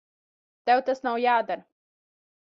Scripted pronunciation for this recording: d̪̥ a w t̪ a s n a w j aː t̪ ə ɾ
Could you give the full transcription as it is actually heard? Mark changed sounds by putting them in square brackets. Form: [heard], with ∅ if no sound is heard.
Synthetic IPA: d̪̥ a w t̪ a s n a w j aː [d̪] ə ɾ